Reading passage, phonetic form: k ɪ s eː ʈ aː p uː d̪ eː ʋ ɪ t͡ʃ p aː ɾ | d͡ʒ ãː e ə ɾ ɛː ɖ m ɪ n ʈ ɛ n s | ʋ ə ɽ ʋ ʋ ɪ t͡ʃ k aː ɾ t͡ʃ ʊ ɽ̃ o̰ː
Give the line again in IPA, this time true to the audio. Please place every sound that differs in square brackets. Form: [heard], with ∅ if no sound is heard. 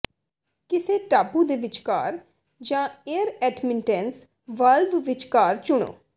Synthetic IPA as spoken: k ɪ s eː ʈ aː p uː d̪ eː ʋ ɪ t͡ʃ [k] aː ɾ | d͡ʒ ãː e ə ɾ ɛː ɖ m ɪ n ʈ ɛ n s | ʋ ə [l] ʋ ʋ ɪ t͡ʃ k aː ɾ t͡ʃ ʊ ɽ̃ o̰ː

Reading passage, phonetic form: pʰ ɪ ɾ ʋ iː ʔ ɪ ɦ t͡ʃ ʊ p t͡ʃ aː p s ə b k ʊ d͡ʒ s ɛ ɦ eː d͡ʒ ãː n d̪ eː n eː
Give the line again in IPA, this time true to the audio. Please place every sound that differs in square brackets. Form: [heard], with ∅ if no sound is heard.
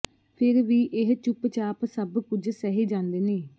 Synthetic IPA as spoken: pʰ ɪ ɾ ʋ iː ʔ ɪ ɦ t͡ʃ ʊ p t͡ʃ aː p s ə b k ʊ d͡ʒ s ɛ ɦ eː d͡ʒ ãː n d̪ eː n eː

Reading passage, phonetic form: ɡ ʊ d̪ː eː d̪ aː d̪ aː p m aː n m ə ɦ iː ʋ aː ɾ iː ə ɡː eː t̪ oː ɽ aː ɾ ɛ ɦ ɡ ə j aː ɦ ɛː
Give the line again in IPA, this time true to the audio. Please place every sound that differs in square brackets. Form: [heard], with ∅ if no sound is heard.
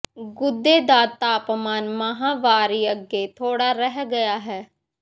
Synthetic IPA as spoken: ɡ ʊ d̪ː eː d̪ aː [t̪] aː p m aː n m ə ɦ [aː] ʋ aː ɾ iː ə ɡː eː [t̪ʰ] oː ɽ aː ɾ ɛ ɦ ɡ ə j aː ɦ ɛː

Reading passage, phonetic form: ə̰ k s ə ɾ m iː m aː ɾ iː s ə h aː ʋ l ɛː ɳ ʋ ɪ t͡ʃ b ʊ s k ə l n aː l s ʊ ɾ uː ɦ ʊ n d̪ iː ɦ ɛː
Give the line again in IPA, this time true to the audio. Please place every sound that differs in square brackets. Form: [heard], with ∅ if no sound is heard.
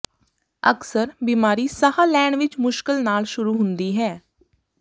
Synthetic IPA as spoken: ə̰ k s ə ɾ [b] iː m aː ɾ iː s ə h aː [∅] l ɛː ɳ ʋ ɪ t͡ʃ [m] ʊ [ʃ] k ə l n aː l [ʃ] ʊ ɾ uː ɦ ʊ n d̪ iː ɦ ɛː

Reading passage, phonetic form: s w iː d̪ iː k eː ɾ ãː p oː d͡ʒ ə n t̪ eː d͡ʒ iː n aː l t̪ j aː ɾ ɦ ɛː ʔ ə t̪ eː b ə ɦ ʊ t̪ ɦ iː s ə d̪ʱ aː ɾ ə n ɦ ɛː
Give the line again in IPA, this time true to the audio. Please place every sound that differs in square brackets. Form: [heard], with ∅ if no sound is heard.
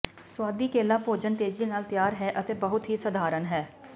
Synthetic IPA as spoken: s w [aː] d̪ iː k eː [l] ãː p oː d͡ʒ ə n t̪ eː d͡ʒ iː n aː l t̪ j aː ɾ ɦ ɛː ʔ ə t̪ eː b ə ɦ ʊ t̪ ɦ iː s ə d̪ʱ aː ɾ ə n ɦ ɛː

